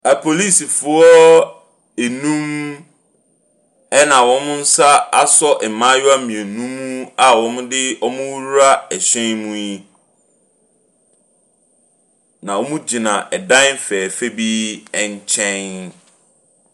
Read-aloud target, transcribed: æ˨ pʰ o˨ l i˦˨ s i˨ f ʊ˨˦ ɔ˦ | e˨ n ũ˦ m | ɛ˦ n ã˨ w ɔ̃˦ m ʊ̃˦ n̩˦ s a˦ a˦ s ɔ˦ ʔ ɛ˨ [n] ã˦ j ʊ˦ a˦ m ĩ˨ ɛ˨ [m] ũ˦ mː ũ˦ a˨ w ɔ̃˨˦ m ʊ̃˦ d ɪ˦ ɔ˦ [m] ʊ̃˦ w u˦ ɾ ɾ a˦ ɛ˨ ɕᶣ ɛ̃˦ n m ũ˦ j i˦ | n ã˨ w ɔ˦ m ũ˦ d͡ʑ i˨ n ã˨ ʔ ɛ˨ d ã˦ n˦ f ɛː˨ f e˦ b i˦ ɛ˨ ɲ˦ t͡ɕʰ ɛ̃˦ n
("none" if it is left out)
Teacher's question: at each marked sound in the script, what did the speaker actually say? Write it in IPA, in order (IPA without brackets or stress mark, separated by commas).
m, n, m